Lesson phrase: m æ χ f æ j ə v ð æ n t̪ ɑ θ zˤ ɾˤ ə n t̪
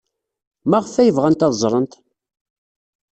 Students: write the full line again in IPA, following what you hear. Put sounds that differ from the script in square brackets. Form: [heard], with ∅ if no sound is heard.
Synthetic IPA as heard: m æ [ʁ] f æ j ə v [ʁ] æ n t̪ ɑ [ð] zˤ ɾˤ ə n t̪